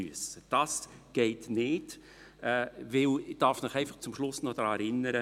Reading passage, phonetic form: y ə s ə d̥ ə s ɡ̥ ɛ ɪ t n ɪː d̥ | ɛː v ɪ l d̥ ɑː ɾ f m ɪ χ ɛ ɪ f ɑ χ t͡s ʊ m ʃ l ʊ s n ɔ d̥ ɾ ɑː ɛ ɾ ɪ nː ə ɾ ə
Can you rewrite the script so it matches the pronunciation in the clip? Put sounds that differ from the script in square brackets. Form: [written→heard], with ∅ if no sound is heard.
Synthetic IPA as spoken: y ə s ə d̥ [ə→ɑ] s ɡ̥ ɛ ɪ t n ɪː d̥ | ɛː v ɪ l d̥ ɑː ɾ f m ɪ χ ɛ ɪ f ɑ χ t͡s ʊ m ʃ l ʊ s n ɔ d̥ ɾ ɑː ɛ ɾ ɪ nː ə ɾ ə